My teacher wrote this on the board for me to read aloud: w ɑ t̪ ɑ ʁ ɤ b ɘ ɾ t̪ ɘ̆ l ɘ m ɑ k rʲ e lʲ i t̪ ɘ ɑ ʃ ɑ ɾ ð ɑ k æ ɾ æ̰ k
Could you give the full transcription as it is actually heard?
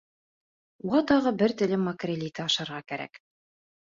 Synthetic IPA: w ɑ t̪ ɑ ʁ ɤ b ɘ ɾ t̪ ɘ̆ l ɘ m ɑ k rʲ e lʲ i t̪ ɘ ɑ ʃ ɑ ɾ ʁ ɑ k æ ɾ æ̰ k